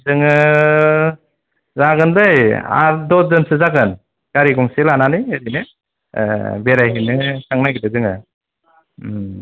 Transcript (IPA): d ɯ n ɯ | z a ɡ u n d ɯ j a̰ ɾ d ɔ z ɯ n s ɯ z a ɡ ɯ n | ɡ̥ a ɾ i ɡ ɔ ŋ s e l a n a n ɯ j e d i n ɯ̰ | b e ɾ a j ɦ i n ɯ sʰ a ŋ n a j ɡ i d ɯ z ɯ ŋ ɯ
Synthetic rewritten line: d ɯ ŋ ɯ | z a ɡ ɯ n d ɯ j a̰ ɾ d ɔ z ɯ n s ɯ z a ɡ ɯ n | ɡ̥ a ɾ i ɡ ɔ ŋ s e l a n a n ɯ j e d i n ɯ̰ | b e ɾ a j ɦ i n ɯ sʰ a ŋ n a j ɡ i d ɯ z ɯ ŋ ɯ

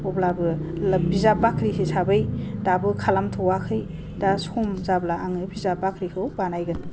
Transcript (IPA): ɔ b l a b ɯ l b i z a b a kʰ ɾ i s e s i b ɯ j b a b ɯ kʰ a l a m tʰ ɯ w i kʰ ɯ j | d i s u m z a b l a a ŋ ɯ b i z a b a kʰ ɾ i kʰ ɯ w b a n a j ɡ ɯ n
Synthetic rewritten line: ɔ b l a b ɯ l b i z a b a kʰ ɾ i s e s a b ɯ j d a b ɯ kʰ a l a m tʰ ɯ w a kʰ ɯ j | d a s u m z a b l a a ŋ ɯ b i z a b a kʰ ɾ i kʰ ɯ w b a n a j ɡ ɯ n

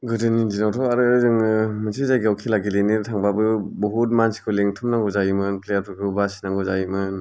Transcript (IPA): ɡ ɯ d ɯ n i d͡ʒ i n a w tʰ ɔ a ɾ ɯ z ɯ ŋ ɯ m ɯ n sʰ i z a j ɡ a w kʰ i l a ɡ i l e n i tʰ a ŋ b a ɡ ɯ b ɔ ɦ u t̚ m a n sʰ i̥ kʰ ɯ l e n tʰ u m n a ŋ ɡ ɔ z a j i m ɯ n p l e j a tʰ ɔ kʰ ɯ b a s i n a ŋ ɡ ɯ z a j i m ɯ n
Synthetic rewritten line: ɡ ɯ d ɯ n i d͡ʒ i n a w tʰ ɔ a ɾ ɯ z ɯ ŋ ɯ m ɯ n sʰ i z a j ɡ a w kʰ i l a ɡ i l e n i tʰ a ŋ b a b ɯ b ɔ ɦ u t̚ m a n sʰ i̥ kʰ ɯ l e ŋ tʰ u m n a ŋ ɡ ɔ z a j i m ɯ n p l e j a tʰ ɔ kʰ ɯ b a s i n a ŋ ɡ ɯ z a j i m ɯ n

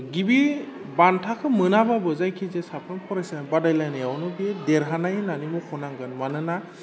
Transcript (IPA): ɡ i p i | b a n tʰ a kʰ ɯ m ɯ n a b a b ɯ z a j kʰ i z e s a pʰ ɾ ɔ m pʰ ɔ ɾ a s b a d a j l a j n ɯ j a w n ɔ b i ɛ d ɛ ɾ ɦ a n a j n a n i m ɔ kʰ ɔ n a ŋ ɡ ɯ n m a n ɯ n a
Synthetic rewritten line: ɡ i b i | b a n tʰ a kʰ ɯ m ɯ n a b a b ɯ z a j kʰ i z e s a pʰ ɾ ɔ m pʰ ɔ ɾ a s b a d a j l a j n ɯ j a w n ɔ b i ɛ d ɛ ɾ ɦ a n a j n a n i m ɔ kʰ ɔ n a ŋ ɡ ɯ n m a n ɯ n a

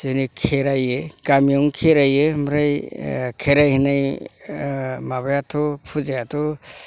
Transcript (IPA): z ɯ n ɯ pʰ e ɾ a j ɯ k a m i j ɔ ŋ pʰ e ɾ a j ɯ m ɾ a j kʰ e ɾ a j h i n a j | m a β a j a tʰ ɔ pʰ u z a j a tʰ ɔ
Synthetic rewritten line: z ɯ n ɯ kʰ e ɾ a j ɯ k a m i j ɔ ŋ kʰ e ɾ a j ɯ m ɾ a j kʰ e ɾ a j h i n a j | m a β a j a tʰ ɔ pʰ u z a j a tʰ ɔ

